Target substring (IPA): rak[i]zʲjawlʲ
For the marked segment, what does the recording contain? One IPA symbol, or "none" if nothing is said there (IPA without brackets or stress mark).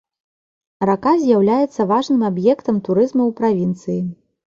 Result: a